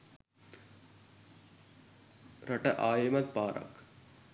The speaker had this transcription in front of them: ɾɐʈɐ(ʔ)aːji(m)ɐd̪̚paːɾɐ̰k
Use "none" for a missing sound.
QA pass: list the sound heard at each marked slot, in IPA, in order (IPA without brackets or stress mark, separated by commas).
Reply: ʔ, m